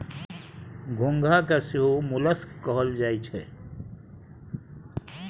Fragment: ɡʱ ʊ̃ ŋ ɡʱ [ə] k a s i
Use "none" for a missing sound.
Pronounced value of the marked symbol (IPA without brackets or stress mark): a